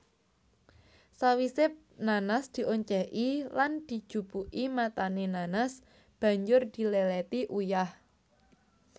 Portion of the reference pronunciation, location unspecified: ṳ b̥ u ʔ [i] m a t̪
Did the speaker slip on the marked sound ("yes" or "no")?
no